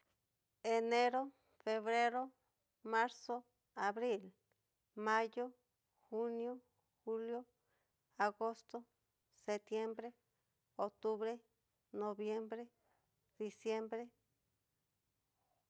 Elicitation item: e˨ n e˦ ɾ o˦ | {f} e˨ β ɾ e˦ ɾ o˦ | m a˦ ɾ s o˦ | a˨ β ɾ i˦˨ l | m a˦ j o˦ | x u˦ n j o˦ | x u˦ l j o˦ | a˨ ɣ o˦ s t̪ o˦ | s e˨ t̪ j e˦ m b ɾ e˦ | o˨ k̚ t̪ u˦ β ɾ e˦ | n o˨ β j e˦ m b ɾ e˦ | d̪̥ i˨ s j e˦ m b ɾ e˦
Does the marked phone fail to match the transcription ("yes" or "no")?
no